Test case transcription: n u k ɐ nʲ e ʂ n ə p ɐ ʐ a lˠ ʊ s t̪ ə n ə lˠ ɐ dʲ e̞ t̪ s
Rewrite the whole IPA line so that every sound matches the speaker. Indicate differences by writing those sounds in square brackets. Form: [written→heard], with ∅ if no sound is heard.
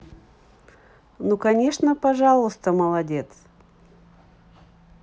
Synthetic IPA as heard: n u k ɐ nʲ e ʂ n ə p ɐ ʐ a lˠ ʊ s t̪ ə [n→m] ə lˠ ɐ dʲ e̞ t̪ s